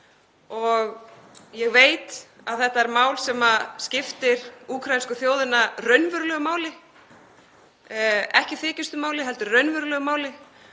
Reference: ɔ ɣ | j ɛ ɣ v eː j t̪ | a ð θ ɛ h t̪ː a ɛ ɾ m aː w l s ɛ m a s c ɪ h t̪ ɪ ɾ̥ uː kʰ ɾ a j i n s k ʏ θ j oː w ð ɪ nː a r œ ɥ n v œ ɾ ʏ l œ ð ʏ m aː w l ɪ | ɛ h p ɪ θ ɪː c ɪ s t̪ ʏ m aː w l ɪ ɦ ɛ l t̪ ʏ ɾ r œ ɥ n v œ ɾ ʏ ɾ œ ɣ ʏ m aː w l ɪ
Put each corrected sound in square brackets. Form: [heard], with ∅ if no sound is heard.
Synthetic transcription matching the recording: ɔ ɣ | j ɛ ɣ v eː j t̪ | a ð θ ɛ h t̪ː a ɛ ɾ m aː w l s ɛ m a s c ɪ [f] t̪ ɪ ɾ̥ uː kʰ ɾ a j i n s k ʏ θ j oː w ð ɪ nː a r œ ɥ n v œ ɾ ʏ l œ [ɣ] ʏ m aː w l ɪ | ɛ h [c] ɪ θ ɪː c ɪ s t̪ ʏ m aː w l ɪ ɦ ɛ l t̪ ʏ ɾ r œ ɥ n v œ ɾ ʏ [l] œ ɣ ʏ m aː w l ɪ

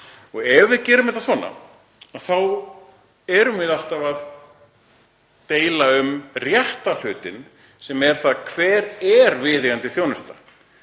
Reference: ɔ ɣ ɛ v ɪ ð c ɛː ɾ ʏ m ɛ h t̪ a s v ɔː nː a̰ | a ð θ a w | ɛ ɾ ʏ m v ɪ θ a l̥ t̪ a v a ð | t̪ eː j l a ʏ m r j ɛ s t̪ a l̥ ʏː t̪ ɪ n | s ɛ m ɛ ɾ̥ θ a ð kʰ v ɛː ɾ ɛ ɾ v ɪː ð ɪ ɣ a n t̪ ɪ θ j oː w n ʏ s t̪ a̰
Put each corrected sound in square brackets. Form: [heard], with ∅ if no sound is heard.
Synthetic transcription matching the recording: ɔ ɣ ɛ v ɪ ð c ɛː ɾ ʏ m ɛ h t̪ a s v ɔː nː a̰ | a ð θ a w | ɛ ɾ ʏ m v ɪ [ð] a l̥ t̪ a v a ð | t̪ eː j l a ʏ m r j ɛ [h] t̪ a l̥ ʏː t̪ ɪ n | s ɛ m ɛ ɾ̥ θ a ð kʰ v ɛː ɾ ɛ ɾ v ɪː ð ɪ ɣ a n t̪ ɪ θ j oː w n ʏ s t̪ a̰

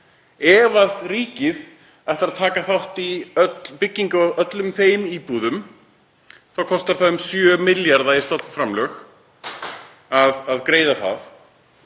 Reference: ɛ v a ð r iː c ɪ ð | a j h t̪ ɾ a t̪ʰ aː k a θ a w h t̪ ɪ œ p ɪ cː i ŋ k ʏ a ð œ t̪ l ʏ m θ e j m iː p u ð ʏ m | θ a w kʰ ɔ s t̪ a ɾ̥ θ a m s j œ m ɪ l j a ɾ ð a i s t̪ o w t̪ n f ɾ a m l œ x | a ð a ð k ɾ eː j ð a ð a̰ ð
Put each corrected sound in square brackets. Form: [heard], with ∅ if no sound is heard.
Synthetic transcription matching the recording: ɛ v a ð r iː c ɪ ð | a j h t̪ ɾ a t̪ʰ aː k a θ a w h t̪ [i] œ p ɪ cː i ŋ k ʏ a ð œ t̪ l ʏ m θ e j m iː p u ð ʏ m | θ a w kʰ ɔ s t̪ a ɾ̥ θ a m s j œ m ɪ l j a ɾ ð a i s t̪ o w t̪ n f ɾ a m l œ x | a ð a ð k ɾ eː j ð a [θ] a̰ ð

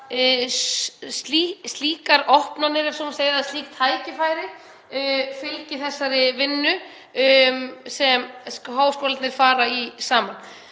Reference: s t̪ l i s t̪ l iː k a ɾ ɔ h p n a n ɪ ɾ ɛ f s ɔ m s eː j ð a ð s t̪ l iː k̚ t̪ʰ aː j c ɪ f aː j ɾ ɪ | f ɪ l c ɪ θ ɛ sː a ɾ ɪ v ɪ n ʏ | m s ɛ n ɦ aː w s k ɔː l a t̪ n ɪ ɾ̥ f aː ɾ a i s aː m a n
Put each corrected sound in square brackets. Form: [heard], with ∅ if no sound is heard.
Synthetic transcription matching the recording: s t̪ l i s t̪ l iː k a ɾ ɔ h p n a n ɪ ɾ ɛ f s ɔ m s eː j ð a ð s t̪ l iː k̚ t̪ʰ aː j c ɪ f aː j ɾ ɪ | f ɪ l c ɪ θ ɛ sː a ɾ ɪ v ɪ [nː] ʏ | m s ɛ [m] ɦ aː w s k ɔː l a t̪ n ɪ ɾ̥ f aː ɾ a i s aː m a n

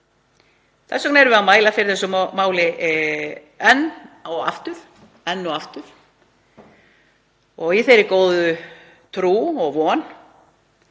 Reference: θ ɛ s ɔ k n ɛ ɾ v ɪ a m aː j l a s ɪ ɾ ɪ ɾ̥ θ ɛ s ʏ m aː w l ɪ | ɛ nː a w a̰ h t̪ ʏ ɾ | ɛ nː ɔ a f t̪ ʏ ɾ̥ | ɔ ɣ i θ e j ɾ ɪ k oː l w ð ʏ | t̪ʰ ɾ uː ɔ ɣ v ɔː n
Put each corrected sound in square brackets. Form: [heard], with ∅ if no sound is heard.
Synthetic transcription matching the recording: θ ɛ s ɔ k n ɛ ɾ v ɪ a m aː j l a [f] ɪ ɾ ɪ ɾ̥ θ ɛ s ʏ m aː w l ɪ | ɛ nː a w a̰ [f] t̪ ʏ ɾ | ɛ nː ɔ a f t̪ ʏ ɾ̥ | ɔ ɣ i θ e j ɾ ɪ k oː [∅] w ð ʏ | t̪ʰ ɾ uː ɔ ɣ v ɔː n

